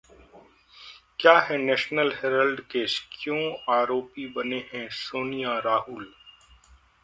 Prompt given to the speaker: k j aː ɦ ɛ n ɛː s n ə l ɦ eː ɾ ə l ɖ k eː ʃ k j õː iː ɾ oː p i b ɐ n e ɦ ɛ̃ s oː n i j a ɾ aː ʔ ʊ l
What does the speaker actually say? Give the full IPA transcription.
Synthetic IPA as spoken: k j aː ɦ ɛ n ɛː ʃ n ə l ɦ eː ɾ ə l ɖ k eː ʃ k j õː aː ɾ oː p i b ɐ n e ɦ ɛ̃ s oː n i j a ɾ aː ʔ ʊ l

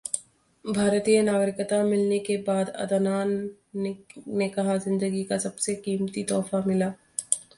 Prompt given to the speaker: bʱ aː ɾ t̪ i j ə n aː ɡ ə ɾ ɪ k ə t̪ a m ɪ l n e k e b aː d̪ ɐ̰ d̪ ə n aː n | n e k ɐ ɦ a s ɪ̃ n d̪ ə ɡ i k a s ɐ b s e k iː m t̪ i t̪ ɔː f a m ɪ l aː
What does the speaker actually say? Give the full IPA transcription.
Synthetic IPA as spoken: bʱ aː ɾ t̪ i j ə n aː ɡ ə ɾ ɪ k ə t̪ a m ɪ l n e k e b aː d̪ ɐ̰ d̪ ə n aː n | n e k ɐ ɦ a z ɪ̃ n d̪ ə ɡ i k a s ɐ b s e k iː m t̪ i t̪ ɔː f a m ɪ l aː

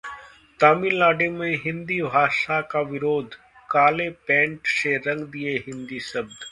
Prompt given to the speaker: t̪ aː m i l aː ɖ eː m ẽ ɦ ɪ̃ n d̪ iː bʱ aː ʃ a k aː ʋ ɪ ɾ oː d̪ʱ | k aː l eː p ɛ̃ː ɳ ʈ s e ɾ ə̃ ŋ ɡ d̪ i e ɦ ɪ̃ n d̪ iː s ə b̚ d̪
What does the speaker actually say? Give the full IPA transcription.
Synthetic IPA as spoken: t̪ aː m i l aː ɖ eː m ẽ ɦ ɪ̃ n d̪ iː bʱ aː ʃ a k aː ʋ ɪ ɾ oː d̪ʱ | k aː l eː p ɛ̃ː ɳ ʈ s e ɾ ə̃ ŋ ɡ d̪ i e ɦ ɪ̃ n d̪ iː s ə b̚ d̪

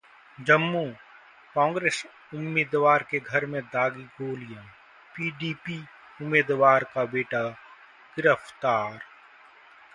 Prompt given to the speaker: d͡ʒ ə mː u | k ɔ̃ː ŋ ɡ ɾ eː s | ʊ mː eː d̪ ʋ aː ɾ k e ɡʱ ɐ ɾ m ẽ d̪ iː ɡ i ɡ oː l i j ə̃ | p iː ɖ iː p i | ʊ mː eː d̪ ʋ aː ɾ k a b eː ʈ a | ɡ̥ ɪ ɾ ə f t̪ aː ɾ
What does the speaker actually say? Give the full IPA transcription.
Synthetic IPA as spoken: d͡ʒ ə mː u | k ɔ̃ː ŋ ɡ ɾ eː s | ʊ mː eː d̪ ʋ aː ɾ k e ɡʱ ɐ ɾ m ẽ d̪ aː ɡ i ɡ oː l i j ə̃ | p iː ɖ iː p i | ʊ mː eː d̪ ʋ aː ɾ k a b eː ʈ a | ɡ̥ ɪ ɾ ə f t̪ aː ɾ

